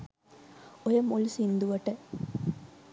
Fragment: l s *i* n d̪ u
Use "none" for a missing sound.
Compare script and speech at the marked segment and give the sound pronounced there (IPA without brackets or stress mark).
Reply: i